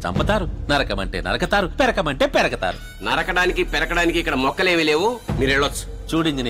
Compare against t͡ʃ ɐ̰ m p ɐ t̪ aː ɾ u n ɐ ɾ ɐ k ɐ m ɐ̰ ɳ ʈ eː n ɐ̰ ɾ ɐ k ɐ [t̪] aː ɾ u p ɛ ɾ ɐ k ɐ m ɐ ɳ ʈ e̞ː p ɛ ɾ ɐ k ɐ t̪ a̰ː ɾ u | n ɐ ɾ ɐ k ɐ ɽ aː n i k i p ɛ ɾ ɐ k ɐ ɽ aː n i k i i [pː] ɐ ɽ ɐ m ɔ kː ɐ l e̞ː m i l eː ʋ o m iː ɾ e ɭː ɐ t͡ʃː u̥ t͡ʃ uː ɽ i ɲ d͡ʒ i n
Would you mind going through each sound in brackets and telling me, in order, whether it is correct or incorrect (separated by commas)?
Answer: correct, incorrect